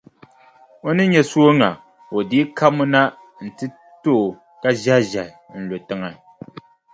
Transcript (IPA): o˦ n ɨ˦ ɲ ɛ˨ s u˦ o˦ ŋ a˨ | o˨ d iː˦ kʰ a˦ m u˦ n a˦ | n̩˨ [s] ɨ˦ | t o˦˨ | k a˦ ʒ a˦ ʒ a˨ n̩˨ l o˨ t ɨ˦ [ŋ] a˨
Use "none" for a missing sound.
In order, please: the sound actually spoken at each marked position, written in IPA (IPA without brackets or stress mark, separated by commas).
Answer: t, ŋ